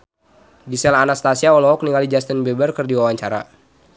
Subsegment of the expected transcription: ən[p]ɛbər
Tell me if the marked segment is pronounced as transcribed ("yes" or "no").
no